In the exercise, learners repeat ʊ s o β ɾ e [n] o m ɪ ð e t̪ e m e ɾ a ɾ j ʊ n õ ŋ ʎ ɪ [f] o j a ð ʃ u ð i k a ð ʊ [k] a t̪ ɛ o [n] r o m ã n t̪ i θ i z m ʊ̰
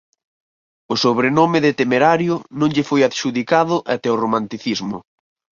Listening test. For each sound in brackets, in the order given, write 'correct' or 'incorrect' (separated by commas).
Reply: correct, correct, incorrect, incorrect